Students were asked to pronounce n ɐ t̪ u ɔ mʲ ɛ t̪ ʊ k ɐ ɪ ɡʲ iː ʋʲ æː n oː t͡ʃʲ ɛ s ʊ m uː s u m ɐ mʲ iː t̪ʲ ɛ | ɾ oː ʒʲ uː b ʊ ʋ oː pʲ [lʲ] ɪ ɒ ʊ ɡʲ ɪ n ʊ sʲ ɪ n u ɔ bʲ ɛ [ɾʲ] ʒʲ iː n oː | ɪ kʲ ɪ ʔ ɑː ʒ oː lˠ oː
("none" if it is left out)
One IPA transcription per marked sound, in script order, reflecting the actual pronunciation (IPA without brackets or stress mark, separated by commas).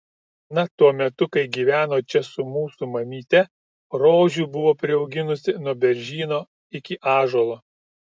ɾʲ, ɾʲ